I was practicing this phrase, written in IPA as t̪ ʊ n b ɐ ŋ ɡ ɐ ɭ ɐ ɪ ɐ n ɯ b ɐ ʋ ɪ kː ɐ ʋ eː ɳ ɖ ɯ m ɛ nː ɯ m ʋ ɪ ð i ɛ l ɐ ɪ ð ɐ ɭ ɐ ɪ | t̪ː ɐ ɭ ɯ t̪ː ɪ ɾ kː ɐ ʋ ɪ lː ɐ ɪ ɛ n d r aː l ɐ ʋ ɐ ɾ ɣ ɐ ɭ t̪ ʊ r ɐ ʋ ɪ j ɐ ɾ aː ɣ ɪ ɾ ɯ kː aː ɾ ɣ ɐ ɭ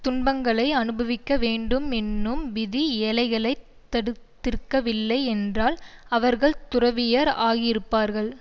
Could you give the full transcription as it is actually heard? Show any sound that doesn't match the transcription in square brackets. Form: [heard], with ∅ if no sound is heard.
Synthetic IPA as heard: t̪ ʊ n b ɐ ŋ ɡ ɐ ɭ ɐ ɪ ɐ n ɯ b ɐ ʋ ɪ kː ɐ ʋ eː ɳ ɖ ɯ m ɛ nː ɯ m ʋ ɪ ð i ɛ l ɐ ɪ [ɣ] ɐ ɭ ɐ ɪ | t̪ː ɐ [ɽ] ɯ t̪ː ɪ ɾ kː ɐ ʋ ɪ lː ɐ ɪ ɛ n d r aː l ɐ ʋ ɐ ɾ ɣ ɐ ɭ t̪ ʊ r ɐ ʋ ɪ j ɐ ɾ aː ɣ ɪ ɾ ɯ [pː] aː ɾ ɣ ɐ ɭ